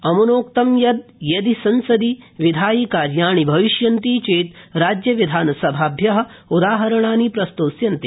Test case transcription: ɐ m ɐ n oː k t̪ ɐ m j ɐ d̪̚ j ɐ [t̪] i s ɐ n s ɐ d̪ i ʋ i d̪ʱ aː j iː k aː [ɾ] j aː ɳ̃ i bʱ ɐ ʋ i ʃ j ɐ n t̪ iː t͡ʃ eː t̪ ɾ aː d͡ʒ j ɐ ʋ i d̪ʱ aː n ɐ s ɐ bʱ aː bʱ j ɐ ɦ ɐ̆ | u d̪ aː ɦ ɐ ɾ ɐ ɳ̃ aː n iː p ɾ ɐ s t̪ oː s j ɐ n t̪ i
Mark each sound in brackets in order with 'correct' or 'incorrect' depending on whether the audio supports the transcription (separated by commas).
incorrect, correct